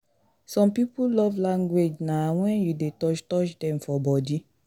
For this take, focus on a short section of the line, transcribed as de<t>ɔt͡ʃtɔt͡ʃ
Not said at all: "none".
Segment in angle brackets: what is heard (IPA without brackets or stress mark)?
t